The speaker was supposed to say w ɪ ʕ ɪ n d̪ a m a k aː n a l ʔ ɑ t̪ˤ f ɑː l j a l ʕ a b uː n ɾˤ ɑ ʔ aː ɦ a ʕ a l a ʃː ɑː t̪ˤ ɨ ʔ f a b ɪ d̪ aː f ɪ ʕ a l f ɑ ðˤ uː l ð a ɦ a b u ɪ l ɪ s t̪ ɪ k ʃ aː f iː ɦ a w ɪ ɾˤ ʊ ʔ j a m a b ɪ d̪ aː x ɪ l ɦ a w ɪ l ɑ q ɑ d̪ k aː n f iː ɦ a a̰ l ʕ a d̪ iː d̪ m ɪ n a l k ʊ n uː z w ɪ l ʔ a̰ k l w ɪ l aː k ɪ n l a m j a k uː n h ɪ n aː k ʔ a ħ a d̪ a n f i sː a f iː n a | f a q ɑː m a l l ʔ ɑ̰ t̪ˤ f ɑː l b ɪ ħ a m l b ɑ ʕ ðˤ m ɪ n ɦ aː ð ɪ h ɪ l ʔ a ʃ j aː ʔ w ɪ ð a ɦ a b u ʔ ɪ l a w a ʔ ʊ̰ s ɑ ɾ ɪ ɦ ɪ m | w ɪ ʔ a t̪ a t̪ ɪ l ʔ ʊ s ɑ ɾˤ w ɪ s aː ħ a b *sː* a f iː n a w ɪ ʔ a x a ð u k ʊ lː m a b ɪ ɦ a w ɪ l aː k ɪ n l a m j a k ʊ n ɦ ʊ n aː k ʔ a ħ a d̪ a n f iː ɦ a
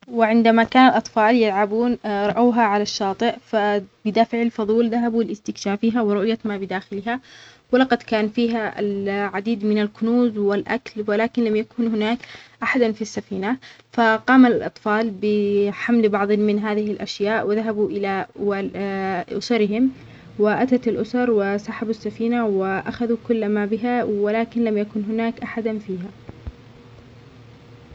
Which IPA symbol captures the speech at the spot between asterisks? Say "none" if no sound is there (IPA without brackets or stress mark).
sː